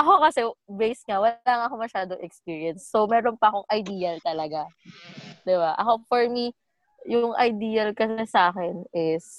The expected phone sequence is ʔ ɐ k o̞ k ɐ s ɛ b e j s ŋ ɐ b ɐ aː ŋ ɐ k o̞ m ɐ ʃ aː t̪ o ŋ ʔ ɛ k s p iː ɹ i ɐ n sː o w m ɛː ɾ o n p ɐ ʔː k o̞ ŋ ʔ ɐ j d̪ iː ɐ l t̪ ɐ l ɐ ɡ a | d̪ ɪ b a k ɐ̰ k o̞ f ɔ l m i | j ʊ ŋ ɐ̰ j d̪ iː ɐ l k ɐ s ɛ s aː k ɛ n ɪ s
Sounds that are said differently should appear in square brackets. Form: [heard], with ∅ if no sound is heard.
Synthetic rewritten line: ʔ ɐ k o̞ k ɐ s ɛ b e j s ŋ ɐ [w] ɐ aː ŋ ɐ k o̞ m ɐ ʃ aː [d̪] o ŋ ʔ ɛ k s p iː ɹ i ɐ n sː o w m ɛː ɾ o n p ɐ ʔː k o̞ ŋ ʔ ɐ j d̪ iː ɐ l t̪ ɐ l ɐ ɡ a | d̪ ɪ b a [ʔ] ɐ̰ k o̞ f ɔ [ɹ] m i | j ʊ ŋ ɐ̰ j d̪ iː ɐ l k ɐ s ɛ s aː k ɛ n ɪ s